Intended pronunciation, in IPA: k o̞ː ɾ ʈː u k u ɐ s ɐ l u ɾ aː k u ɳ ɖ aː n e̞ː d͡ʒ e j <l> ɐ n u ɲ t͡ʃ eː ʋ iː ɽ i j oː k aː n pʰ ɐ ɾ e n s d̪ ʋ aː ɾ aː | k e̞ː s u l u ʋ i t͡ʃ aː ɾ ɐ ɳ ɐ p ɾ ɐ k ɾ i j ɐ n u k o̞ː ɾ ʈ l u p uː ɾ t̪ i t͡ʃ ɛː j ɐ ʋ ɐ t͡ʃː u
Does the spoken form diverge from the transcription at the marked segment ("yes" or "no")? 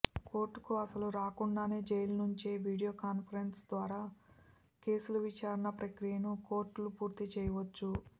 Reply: no